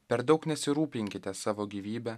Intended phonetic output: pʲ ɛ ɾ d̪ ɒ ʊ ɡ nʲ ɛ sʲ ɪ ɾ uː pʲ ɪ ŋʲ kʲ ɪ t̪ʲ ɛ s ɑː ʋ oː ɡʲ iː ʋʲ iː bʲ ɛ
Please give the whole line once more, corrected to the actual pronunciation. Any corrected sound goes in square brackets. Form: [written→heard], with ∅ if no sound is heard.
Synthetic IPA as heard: pʲ ɛ ɾ d̪ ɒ ʊ [ɡ→k] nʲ ɛ sʲ ɪ ɾ uː pʲ ɪ ŋʲ kʲ ɪ t̪ʲ ɛ s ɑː ʋ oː ɡʲ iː ʋʲ iː bʲ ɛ

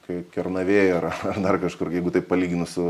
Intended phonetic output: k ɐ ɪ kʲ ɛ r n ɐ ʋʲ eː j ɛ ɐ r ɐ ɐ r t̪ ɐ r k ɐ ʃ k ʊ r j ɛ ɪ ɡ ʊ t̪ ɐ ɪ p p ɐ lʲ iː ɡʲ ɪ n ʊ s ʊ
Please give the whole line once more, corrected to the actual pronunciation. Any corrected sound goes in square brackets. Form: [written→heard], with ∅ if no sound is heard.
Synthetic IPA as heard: k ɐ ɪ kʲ ɛ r n ɐ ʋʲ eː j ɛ ɐ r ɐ ɐ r [t̪→d̪] ɐ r k ɐ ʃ k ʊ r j ɛ ɪ ɡ ʊ t̪ ɐ ɪ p p ɐ lʲ iː ɡʲ ɪ n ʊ s ʊ

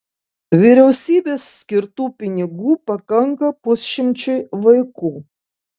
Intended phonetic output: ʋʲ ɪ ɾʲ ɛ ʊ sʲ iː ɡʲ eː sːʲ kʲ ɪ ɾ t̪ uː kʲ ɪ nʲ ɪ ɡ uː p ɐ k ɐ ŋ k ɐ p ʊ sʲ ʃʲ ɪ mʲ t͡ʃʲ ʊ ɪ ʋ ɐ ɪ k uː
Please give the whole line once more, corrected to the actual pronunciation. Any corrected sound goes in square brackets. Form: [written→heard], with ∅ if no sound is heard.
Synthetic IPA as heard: ʋʲ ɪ ɾʲ ɛ ʊ sʲ iː [ɡʲ→bʲ] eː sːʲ kʲ ɪ ɾ t̪ uː [kʲ→pʲ] ɪ nʲ ɪ ɡ uː p ɐ k ɐ ŋ k ɐ p ʊ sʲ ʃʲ ɪ mʲ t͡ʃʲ ʊ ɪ ʋ ɐ ɪ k uː

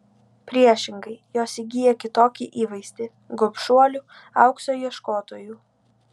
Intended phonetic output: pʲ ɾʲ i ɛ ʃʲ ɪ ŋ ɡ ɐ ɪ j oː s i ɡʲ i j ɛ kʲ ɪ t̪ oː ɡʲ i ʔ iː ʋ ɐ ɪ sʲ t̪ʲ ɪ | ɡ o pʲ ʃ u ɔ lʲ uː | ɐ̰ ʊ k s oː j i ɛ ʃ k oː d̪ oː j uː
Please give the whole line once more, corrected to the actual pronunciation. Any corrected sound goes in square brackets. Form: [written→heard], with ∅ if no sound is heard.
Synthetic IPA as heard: pʲ ɾʲ i ɛ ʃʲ ɪ ŋ ɡ ɐ ɪ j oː s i ɡʲ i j ɛ kʲ ɪ t̪ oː [ɡʲ→kʲ] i ʔ iː ʋ ɐ ɪ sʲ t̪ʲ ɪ | ɡ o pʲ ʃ u ɔ lʲ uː | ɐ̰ ʊ k s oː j i ɛ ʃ k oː [d̪→t̪] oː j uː

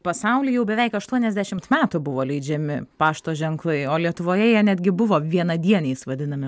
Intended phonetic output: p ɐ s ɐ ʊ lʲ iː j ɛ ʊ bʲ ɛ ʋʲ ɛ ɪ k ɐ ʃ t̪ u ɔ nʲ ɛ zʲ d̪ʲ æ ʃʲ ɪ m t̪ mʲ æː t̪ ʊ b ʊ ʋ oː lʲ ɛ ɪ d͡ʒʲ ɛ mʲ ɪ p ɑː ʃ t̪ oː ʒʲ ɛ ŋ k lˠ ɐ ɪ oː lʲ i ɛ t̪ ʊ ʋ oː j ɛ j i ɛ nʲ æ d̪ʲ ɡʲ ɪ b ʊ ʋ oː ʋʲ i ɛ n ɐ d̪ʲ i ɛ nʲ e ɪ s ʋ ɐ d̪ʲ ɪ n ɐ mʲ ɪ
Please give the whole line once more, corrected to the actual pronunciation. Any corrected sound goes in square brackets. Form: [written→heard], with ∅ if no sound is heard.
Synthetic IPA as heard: p ɐ s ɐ ʊ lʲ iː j ɛ ʊ bʲ ɛ ʋʲ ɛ ɪ k ɐ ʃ t̪ u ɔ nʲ ɛ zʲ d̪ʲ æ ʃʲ ɪ m t̪ mʲ æː t̪ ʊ b ʊ ʋ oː lʲ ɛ ɪ d͡ʒʲ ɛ mʲ ɪ p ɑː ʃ t̪ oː ʒʲ ɛ ŋ k lˠ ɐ ɪ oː lʲ i ɛ t̪ ʊ ʋ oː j ɛ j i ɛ nʲ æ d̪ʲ ɡʲ ɪ b ʊ ʋ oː ʋʲ i ɛ n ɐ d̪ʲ i ɛ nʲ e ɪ s ʋ ɐ d̪ʲ ɪ n ɐ mʲ ɪ

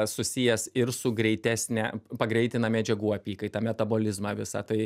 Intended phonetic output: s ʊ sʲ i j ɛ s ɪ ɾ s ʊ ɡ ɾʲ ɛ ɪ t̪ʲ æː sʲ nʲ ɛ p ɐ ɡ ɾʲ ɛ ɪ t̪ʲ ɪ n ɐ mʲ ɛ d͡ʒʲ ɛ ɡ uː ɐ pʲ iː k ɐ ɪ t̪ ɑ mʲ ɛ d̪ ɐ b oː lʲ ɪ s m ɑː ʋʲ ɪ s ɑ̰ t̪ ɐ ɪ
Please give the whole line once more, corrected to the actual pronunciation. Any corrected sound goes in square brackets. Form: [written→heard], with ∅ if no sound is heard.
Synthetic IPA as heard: s ʊ sʲ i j ɛ s ɪ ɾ s ʊ ɡ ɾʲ ɛ ɪ t̪ʲ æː sʲ nʲ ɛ p ɐ ɡ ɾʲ ɛ ɪ t̪ʲ ɪ n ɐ mʲ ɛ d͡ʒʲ ɛ ɡ uː ɐ pʲ iː k ɐ ɪ t̪ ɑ mʲ ɛ [d̪→t̪] ɐ b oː lʲ ɪ [s→z] m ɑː ʋʲ ɪ s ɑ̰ t̪ ɐ ɪ

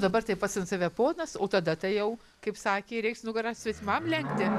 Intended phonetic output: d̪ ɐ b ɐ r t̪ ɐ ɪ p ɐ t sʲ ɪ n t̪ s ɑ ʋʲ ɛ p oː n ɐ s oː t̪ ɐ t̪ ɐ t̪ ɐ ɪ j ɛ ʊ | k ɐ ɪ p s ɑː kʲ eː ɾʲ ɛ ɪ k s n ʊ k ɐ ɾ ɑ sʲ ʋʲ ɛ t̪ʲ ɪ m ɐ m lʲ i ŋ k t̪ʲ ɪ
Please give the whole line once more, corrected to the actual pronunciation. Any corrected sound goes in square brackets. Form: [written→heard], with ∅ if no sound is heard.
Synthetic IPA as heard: d̪ ɐ b ɐ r t̪ ɐ ɪ p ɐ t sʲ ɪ n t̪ s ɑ ʋʲ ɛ p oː n ɐ s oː t̪ ɐ [t̪→d̪] ɐ t̪ ɐ ɪ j ɛ ʊ | k ɐ ɪ p s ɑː kʲ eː ɾʲ ɛ ɪ k s n ʊ [k→ɡ] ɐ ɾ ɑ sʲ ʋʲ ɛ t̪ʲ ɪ m ɐ m lʲ [i→ɛ] ŋ k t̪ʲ ɪ

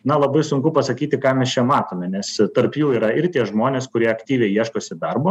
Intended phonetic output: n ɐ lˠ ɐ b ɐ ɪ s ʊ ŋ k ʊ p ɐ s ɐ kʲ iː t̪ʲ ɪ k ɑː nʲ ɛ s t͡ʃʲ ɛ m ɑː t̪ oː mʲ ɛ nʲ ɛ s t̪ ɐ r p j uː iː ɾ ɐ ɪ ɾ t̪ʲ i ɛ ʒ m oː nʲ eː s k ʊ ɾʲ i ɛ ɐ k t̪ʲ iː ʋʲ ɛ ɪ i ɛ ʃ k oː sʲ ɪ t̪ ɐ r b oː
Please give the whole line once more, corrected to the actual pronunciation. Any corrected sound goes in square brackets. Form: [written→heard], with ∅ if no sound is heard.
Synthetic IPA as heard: n ɐ lˠ ɐ b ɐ ɪ s ʊ ŋ k ʊ p ɐ s ɐ kʲ iː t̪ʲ ɪ k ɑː [nʲ→mʲ] ɛ s t͡ʃʲ ɛ m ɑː t̪ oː mʲ ɛ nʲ ɛ s t̪ ɐ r p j uː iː ɾ ɐ ɪ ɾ t̪ʲ i ɛ ʒ m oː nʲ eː s k ʊ ɾʲ i ɛ ɐ k t̪ʲ iː ʋʲ ɛ ɪ i ɛ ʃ k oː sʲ ɪ [t̪→d̪] ɐ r b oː

